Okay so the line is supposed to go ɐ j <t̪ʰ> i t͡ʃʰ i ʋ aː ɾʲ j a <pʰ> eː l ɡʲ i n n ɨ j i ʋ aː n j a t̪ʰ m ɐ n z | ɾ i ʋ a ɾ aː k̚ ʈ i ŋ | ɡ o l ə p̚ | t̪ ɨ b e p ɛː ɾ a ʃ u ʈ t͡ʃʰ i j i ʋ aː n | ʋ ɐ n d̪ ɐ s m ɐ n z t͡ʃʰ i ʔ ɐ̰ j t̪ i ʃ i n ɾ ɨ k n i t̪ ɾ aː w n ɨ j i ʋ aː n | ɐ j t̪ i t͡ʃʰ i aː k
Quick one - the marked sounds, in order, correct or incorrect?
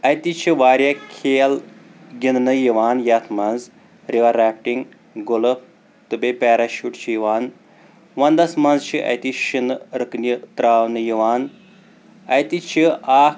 incorrect, incorrect

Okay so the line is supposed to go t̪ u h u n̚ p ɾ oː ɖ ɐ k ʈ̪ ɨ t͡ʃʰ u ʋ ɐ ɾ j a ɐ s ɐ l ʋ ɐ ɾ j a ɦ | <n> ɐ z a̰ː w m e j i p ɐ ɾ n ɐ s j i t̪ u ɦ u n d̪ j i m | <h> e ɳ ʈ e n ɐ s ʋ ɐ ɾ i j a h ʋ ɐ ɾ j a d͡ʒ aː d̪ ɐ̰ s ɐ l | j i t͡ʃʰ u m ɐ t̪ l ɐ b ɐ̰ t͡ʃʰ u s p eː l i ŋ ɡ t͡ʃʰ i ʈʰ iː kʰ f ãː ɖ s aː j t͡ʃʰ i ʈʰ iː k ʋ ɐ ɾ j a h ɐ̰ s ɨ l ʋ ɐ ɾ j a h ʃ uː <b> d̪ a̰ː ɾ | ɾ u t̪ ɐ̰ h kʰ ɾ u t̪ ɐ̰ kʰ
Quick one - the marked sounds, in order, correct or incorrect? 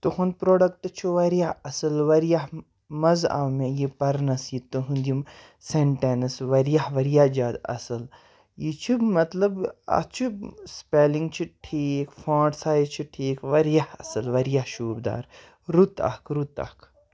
incorrect, incorrect, correct

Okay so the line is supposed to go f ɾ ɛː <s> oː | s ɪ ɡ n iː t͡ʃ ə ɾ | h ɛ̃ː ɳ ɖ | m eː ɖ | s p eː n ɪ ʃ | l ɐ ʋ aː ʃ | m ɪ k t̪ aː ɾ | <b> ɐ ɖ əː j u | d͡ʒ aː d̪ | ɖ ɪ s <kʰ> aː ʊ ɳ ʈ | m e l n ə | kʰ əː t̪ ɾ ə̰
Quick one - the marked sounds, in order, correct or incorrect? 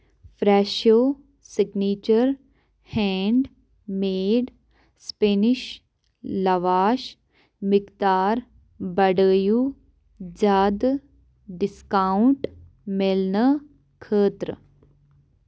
incorrect, correct, incorrect

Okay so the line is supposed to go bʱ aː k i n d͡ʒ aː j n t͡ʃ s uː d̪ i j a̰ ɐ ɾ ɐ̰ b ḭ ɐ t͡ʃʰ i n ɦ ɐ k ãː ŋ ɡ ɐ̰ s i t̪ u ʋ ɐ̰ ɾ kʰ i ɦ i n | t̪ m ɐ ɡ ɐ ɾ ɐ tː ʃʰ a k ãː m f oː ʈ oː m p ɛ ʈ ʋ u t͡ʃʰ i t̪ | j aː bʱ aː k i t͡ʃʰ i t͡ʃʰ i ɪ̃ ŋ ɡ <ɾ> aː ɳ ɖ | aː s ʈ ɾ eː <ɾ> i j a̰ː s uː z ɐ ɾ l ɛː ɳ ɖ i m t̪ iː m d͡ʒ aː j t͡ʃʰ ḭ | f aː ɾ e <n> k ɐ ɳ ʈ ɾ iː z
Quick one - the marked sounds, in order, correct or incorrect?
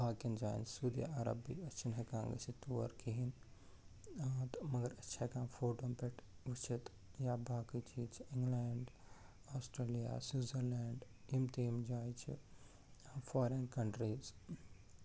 incorrect, incorrect, correct

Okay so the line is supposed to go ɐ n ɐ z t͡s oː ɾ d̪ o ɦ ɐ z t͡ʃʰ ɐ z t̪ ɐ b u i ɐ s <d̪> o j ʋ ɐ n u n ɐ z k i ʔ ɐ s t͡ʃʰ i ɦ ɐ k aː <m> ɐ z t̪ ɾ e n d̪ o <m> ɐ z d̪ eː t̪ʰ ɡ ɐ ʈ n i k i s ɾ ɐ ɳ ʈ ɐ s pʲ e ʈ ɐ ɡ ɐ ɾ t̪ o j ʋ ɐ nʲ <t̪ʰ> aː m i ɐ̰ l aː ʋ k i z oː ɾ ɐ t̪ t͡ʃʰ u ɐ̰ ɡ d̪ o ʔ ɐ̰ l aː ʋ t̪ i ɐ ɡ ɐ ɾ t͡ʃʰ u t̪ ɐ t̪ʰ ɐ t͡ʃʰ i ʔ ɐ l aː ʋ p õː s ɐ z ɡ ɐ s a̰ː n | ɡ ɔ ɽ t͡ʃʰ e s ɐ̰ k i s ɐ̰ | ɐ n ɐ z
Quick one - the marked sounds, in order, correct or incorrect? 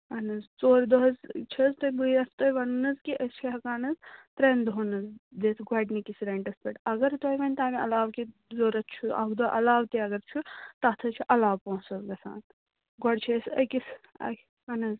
incorrect, incorrect, incorrect, incorrect

